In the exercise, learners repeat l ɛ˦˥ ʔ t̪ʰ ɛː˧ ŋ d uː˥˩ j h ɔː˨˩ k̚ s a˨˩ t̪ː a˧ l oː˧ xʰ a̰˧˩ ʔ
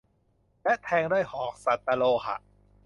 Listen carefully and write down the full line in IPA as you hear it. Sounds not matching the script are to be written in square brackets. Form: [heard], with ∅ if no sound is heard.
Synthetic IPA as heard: l ɛ˦˥ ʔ t̪ʰ ɛː˧ ŋ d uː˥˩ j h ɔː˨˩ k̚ s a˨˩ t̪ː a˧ l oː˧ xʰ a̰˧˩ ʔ